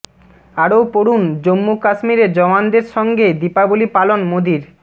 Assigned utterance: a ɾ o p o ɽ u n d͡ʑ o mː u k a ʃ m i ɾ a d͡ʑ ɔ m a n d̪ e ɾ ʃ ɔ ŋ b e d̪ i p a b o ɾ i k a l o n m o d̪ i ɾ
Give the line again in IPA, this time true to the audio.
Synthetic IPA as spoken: a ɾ o p o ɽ u n d͡ʑ o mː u k a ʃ m i ɾ e d͡ʑ ɔ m a n d̪ e ɾ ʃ ɔ ŋ ɡ e d̪ i p a b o l i p a l o n m o d̪ i ɾ